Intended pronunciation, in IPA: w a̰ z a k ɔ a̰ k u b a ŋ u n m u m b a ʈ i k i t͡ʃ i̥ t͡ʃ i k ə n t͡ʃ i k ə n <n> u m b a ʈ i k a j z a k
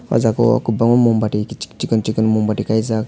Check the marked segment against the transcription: incorrect: m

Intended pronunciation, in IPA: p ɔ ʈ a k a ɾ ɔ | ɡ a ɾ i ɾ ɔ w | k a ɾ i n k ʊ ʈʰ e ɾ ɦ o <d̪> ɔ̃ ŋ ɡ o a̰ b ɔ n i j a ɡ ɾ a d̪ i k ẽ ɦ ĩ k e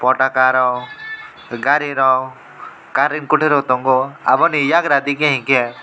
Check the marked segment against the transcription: incorrect: t̪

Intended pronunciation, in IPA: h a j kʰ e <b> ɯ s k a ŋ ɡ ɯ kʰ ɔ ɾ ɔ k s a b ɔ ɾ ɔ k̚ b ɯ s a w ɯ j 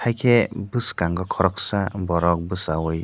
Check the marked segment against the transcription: correct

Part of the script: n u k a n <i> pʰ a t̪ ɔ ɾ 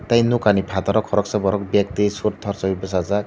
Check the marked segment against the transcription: correct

